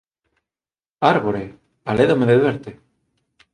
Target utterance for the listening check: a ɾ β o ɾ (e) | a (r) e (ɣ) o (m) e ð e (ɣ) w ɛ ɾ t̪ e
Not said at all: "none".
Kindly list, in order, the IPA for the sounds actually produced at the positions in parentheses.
e, l, ð, m, ð

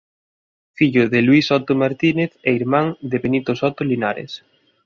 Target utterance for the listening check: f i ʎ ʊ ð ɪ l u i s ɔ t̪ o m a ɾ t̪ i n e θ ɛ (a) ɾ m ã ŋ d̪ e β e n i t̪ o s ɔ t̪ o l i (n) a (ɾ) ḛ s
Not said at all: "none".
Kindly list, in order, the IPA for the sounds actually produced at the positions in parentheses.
i, n, ɾ

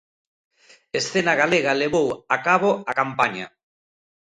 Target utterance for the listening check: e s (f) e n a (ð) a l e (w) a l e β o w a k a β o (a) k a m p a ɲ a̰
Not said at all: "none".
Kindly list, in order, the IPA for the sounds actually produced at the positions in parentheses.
θ, ɣ, ɣ, a

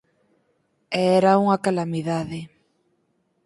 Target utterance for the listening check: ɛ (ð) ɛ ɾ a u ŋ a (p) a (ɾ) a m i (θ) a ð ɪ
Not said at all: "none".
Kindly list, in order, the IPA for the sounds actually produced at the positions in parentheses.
none, k, l, ð

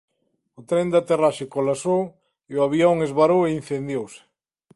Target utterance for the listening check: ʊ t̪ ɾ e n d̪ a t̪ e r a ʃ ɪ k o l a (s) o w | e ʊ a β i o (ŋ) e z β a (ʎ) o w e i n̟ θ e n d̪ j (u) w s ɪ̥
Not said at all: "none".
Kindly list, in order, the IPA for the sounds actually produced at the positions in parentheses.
s, ŋ, ɾ, o

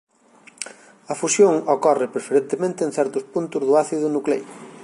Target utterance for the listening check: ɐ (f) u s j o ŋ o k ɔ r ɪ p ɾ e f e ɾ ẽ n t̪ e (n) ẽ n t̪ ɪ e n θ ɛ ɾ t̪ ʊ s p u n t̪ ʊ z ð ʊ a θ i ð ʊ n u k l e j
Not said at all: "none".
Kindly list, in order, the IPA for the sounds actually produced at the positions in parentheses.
f, m

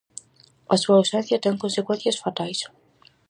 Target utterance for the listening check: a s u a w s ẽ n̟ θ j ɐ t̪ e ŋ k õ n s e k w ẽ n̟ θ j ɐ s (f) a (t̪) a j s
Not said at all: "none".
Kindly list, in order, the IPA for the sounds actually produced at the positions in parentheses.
f, t̪

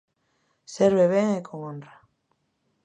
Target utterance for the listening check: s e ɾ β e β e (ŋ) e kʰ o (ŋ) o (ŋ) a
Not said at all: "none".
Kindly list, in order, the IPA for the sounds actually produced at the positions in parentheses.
ŋ, ŋ, n

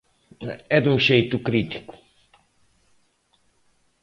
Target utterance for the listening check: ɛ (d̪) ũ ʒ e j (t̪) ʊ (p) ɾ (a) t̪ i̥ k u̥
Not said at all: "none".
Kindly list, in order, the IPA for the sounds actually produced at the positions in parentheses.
d̪, t̪, k, i

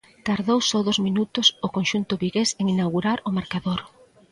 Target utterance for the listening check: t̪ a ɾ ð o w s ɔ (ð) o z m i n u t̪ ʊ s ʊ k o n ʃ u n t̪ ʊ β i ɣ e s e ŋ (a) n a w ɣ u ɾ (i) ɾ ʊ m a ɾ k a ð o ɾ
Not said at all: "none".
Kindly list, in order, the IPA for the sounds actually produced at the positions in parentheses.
ð, i, a

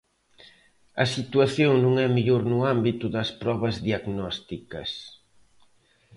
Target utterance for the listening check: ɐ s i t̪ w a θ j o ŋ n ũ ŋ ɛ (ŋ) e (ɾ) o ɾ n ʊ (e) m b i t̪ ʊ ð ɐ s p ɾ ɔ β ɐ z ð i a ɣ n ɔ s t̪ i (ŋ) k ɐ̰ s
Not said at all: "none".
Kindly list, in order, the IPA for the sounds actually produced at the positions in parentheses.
m, ʎ, a, none

